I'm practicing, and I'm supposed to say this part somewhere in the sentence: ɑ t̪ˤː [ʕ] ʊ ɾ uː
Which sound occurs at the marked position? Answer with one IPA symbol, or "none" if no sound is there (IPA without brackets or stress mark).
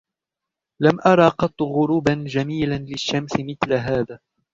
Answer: ɣ